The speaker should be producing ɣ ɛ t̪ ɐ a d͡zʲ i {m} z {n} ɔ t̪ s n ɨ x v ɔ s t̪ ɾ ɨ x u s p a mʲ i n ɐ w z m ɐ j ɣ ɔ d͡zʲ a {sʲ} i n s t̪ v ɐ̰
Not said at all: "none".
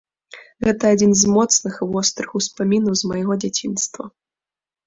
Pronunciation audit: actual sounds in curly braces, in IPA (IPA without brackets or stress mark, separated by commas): n, m, t͡sʲ